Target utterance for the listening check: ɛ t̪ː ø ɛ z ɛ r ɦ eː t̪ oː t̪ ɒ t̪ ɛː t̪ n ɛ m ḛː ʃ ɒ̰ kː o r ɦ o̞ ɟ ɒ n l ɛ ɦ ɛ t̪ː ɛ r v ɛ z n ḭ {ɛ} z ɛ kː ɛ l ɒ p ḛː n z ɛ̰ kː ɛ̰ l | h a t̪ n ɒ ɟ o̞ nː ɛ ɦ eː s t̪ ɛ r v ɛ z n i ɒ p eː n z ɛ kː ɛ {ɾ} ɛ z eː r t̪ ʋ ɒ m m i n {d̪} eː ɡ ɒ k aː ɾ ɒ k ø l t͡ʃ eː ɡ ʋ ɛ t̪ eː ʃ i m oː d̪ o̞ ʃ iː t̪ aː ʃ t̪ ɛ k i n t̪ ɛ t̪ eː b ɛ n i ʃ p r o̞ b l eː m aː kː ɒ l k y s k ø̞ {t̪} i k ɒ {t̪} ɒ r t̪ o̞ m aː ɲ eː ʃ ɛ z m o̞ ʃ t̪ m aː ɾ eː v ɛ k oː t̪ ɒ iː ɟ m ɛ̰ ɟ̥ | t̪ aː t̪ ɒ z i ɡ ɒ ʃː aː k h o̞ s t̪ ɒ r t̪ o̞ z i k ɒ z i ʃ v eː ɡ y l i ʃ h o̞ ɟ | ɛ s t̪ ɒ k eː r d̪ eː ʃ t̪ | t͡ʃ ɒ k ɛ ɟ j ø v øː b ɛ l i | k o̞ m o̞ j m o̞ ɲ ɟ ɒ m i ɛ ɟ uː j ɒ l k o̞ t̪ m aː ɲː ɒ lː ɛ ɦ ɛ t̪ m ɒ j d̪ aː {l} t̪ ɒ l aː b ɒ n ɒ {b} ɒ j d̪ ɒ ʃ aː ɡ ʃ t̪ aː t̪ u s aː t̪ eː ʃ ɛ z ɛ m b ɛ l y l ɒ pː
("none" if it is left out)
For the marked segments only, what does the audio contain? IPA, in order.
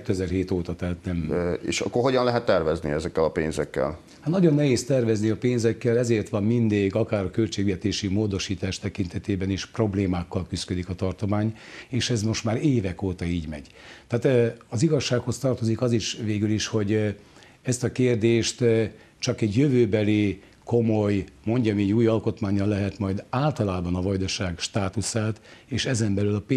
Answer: ɛ, l, d̪, d̪, t̪, l, v

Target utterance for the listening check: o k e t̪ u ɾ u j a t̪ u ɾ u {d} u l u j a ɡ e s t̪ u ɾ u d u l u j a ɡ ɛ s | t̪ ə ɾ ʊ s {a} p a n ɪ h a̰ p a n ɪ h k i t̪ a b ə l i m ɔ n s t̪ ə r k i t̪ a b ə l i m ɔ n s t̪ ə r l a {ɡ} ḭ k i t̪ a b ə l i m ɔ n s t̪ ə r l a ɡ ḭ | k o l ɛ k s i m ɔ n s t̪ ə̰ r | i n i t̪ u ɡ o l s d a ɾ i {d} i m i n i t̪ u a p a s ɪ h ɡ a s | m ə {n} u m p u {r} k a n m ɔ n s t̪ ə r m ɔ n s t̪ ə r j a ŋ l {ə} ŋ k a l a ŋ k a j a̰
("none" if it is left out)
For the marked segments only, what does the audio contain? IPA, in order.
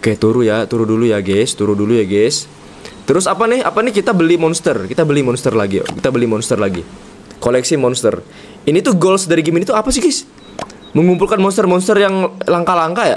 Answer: d, a, ɡ, ɡ, ŋ, l, a

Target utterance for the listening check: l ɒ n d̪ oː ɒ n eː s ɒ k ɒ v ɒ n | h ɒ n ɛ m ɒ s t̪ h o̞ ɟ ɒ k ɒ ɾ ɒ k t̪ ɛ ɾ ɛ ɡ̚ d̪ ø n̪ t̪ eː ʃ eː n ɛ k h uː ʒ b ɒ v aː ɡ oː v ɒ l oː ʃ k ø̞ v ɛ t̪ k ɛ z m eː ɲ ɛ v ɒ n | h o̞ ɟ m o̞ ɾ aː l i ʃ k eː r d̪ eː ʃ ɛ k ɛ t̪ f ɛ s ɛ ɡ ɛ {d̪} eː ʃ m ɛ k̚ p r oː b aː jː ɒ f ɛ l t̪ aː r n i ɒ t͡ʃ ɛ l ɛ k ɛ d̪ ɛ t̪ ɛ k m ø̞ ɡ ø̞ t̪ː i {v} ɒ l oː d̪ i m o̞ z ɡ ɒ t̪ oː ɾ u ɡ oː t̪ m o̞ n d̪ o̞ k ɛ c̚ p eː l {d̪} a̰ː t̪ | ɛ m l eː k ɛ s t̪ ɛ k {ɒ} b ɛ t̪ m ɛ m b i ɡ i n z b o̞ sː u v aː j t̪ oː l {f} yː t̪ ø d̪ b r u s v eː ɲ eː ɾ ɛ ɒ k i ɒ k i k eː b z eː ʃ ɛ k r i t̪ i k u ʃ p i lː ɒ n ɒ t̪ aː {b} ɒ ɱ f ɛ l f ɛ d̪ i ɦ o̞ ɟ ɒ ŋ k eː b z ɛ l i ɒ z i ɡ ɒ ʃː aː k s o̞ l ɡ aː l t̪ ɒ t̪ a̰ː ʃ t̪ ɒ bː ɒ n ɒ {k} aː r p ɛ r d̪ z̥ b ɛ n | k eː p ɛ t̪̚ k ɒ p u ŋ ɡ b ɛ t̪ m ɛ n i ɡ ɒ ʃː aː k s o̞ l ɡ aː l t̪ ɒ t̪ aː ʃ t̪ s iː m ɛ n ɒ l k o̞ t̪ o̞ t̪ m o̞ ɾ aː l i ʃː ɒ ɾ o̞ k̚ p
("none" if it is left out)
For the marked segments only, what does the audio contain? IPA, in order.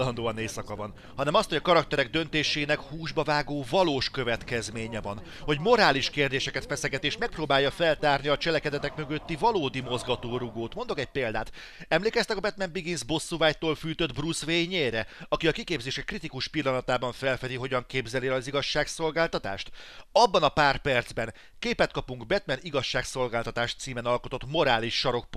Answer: t̪, v, d̪, ɒ, f, b, p

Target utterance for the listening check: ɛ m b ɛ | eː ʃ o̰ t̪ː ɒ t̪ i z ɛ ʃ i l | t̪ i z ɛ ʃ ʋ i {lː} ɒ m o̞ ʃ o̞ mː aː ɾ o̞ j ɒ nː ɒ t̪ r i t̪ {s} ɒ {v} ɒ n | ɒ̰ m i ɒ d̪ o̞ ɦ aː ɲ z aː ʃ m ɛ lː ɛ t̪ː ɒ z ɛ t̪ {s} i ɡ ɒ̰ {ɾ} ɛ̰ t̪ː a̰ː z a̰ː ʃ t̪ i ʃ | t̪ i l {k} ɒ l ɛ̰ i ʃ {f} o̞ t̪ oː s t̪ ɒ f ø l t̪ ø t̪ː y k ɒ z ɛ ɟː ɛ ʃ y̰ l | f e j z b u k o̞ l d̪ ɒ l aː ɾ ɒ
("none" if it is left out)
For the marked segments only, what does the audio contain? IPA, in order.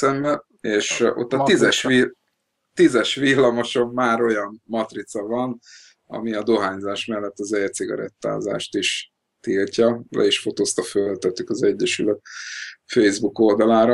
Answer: lː, s, v, s, ɾ, c, f

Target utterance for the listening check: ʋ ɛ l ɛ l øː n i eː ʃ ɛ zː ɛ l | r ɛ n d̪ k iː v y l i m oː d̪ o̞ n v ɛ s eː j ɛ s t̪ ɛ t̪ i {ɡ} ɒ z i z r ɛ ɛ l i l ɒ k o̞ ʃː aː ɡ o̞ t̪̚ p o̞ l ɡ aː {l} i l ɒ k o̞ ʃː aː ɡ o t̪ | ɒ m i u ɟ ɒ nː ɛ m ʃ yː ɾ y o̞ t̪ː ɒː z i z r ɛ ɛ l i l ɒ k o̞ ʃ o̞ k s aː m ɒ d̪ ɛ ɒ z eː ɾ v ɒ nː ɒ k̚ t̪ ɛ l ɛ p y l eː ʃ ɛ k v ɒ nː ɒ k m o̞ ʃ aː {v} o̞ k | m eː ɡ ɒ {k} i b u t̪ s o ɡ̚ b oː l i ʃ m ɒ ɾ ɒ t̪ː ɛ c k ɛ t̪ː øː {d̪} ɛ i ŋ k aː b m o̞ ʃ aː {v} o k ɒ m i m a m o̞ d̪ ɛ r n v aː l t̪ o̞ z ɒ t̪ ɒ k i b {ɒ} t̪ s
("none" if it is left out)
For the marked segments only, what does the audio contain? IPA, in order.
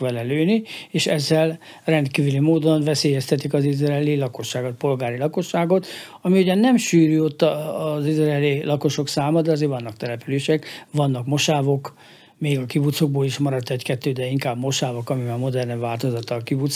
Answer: k, ɾ, v, k, d̪, v, u

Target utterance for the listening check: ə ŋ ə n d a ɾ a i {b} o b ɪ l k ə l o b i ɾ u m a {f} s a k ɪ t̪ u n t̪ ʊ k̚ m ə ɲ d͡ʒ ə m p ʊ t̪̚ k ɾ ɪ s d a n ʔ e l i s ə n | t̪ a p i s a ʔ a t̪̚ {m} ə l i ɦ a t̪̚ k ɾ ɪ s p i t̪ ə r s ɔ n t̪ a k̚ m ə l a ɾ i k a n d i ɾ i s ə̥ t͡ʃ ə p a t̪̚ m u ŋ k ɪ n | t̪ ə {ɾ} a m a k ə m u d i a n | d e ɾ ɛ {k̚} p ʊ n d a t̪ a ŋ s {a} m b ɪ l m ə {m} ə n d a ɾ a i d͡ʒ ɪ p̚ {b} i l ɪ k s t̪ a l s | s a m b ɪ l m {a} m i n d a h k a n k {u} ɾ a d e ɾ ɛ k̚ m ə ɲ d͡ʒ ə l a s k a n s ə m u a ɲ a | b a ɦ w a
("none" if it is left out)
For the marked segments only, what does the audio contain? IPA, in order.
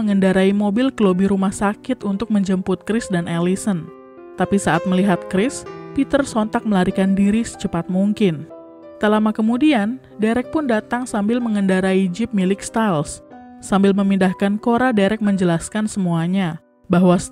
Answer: m, h, m, l, k̚, a, ŋ, m, ə, o

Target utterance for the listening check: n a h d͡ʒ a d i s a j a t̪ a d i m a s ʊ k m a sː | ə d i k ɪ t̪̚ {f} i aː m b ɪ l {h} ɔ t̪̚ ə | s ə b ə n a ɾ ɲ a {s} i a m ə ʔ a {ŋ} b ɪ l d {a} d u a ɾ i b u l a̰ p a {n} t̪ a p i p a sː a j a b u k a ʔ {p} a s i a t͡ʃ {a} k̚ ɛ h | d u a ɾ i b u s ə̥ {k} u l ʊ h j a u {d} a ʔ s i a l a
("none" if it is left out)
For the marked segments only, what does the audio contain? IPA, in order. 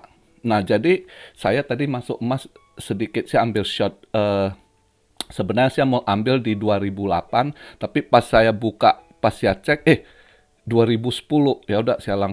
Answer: s, ʃ, s, m, i, n, p, ɛ, p, d

